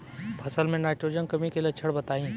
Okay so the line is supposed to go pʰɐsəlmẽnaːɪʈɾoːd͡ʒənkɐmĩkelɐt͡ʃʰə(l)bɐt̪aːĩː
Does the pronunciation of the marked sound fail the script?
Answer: yes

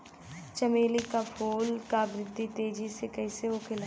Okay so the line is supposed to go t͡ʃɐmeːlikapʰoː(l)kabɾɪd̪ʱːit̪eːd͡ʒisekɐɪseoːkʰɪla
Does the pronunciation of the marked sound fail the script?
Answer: no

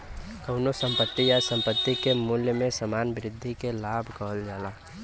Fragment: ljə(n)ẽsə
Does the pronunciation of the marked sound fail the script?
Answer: yes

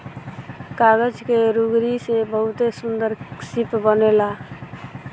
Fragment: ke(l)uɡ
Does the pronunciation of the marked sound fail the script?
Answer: yes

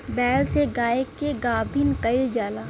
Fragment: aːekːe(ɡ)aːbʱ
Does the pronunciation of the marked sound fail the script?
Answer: no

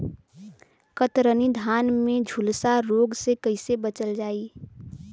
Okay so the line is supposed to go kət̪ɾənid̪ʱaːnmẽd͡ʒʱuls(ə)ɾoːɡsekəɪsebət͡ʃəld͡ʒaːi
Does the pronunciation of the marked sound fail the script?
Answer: yes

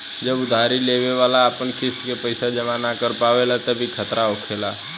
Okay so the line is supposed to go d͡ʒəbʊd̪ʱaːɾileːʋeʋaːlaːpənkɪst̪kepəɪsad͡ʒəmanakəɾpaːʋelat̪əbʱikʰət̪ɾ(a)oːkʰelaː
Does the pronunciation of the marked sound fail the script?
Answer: no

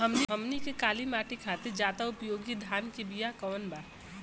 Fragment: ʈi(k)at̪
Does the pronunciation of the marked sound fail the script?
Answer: yes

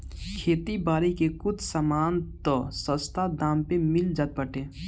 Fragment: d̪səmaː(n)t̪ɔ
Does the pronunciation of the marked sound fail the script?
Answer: no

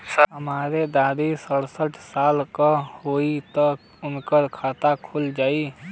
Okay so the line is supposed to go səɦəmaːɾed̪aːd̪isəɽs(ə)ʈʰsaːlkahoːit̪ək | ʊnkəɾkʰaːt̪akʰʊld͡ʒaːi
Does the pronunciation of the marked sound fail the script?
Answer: no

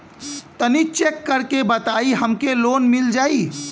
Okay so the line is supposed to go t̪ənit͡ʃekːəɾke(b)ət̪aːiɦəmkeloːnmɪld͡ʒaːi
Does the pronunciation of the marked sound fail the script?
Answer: no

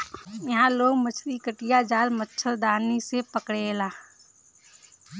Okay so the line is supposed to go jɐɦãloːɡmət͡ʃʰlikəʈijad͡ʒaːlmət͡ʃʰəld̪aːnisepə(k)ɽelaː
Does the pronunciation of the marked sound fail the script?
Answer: no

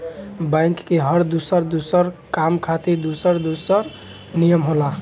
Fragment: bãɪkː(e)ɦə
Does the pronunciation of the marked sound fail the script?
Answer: no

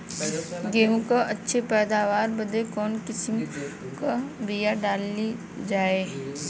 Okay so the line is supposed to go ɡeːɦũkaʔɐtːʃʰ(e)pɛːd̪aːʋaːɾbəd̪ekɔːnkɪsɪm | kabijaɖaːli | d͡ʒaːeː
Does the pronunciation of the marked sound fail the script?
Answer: no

